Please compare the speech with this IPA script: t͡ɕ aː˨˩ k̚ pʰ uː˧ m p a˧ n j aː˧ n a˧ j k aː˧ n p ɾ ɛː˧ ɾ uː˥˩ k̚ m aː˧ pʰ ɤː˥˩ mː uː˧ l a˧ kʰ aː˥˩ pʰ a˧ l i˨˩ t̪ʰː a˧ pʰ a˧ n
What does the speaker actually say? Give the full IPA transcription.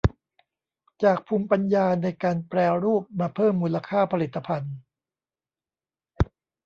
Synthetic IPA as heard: t͡ɕ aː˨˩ k̚ pʰ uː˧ m p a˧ n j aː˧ n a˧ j k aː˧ n p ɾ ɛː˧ ɾ uː˥˩ p̚ m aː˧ pʰ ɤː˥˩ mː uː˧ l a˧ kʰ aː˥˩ pʰ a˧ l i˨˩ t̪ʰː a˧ pʰ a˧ n

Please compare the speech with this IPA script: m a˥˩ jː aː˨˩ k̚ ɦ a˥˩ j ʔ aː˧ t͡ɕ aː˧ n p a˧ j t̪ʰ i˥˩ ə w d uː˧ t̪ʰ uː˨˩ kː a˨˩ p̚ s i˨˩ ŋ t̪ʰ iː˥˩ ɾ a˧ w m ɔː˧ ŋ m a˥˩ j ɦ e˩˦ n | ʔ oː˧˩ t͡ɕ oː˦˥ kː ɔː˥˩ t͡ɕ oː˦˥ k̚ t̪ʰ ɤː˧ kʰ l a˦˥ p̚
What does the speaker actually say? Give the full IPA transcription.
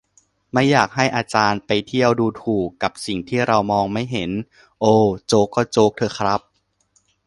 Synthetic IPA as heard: m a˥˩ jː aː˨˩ k̚ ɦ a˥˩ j ʔ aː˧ t͡ɕ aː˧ n p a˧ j t̪ʰ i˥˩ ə w d uː˧ t̪ʰ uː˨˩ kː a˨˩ p̚ s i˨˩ ŋ t̪ʰ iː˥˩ ɾ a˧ w m ɔː˧ ŋ m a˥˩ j ɦ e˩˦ n | ʔ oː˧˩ t͡ɕ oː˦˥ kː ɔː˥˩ t͡ɕ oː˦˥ k̚ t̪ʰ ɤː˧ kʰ ɾ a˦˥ p̚

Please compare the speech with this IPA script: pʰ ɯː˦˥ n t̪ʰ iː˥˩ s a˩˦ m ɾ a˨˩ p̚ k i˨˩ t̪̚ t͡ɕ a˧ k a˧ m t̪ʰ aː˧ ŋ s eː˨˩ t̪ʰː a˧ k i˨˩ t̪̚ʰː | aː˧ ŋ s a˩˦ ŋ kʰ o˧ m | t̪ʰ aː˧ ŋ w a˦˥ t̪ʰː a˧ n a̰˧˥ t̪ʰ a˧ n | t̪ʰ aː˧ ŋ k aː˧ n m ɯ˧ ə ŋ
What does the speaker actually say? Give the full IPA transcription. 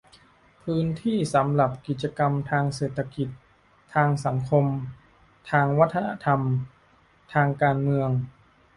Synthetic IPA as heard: pʰ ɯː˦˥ n t̪ʰ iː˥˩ s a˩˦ m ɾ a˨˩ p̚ k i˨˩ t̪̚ t͡ɕ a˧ k a˧ m t̪ʰ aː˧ ŋ s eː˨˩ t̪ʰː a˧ k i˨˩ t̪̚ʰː | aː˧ ŋ s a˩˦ ŋ kʰ o˧ m | t̪ʰ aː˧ ŋ w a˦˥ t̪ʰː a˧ n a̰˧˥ t̪ʰ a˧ m | t̪ʰ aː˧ ŋ k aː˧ n m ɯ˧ ə ŋ

